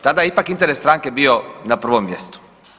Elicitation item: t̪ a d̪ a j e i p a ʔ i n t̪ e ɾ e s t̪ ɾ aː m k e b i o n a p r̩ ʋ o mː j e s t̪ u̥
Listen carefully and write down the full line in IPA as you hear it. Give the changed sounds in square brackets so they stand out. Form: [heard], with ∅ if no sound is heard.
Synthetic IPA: t̪ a d̪ a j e i p a [k] i n t̪ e ɾ e s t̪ ɾ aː [ŋ] k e b i o n a p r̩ ʋ o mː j e s t̪ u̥